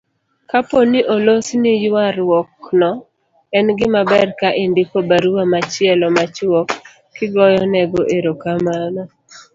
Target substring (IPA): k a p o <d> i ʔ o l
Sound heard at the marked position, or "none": n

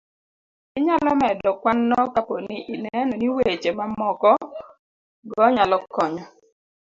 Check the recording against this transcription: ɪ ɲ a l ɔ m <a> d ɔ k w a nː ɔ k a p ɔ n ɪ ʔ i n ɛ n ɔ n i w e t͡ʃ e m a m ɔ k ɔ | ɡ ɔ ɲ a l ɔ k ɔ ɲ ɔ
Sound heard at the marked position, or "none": ɛ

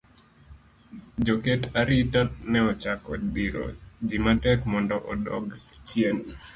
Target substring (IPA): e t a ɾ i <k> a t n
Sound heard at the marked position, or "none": t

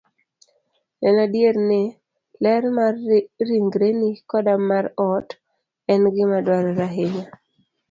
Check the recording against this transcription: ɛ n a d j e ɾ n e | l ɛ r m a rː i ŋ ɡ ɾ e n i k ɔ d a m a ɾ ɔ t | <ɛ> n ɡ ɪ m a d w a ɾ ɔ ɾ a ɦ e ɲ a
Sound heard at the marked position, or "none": ɛ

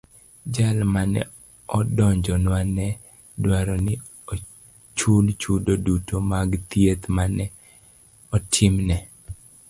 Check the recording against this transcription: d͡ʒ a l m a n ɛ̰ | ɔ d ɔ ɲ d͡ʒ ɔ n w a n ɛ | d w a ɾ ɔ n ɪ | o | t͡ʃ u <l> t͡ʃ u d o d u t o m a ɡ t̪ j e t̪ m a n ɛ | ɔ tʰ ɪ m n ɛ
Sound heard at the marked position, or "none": l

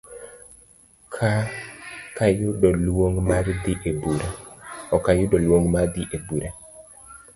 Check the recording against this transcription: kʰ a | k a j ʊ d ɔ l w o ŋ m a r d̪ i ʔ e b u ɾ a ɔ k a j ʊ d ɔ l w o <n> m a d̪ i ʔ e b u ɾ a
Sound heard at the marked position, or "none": ŋ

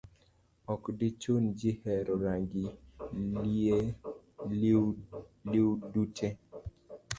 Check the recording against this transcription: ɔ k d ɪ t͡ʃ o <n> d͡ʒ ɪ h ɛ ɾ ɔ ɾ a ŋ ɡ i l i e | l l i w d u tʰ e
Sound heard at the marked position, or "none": n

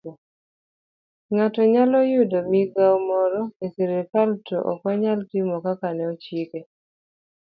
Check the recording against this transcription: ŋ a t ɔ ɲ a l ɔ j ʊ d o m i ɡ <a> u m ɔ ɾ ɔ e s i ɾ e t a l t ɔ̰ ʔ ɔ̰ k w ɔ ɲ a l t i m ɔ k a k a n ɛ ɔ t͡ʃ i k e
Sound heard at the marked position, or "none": a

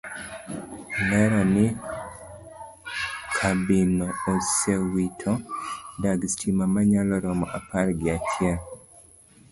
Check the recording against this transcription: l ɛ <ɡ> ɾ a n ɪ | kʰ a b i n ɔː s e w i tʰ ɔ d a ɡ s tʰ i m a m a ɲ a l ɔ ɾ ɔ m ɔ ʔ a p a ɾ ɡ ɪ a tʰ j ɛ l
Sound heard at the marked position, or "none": none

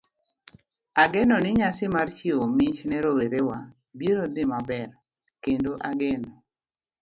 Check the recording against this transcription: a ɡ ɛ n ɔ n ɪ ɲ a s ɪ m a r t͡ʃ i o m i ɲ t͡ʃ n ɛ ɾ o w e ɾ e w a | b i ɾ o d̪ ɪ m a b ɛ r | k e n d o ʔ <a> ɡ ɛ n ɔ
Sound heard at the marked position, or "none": a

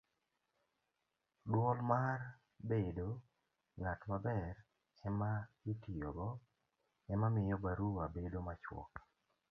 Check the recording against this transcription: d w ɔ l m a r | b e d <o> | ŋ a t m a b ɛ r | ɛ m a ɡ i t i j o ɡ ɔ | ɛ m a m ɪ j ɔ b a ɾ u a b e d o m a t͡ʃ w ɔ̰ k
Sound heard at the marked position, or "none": o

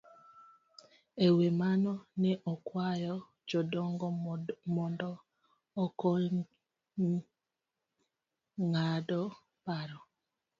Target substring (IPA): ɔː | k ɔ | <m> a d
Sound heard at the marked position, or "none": ŋ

